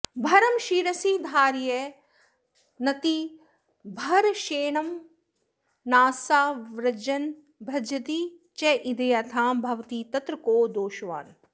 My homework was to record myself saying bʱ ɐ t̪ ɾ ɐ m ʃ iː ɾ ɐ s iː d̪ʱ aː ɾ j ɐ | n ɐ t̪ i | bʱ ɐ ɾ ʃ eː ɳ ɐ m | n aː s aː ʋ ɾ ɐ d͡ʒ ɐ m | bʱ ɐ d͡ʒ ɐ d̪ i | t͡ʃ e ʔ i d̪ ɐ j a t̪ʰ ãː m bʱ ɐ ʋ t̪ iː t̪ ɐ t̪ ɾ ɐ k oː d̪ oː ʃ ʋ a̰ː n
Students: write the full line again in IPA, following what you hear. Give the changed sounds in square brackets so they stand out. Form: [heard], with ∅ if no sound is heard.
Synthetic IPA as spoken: bʱ ɐ [∅] ɾ ɐ m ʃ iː ɾ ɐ s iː d̪ʱ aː ɾ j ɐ | n ɐ t̪ i | bʱ ɐ ɾ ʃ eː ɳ ɐ m | n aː s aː ʋ ɾ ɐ d͡ʒ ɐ [n] | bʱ ɐ d͡ʒ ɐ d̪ i | t͡ʃ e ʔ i d̪ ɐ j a t̪ʰ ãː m bʱ ɐ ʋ t̪ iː t̪ ɐ t̪ ɾ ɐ k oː d̪ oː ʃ ʋ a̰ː n